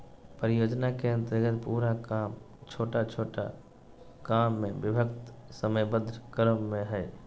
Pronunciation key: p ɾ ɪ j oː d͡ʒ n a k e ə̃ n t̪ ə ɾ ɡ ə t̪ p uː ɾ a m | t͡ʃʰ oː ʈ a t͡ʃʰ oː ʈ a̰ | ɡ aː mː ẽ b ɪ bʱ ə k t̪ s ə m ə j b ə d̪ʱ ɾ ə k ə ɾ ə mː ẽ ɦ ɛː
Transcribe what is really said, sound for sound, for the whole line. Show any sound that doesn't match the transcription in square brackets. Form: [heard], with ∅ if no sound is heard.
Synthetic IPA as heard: p ɾ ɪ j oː d͡ʒ n a k e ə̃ n t̪ ə ɾ ɡ ə t̪ p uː ɾ a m | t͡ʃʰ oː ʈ a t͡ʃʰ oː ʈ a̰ | [k] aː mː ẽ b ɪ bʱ ə k t̪ s ə m ə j b ə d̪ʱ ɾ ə k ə ɾ ə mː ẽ ɦ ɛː